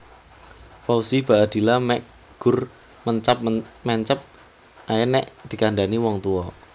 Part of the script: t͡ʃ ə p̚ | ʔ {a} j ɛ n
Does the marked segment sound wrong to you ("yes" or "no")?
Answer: no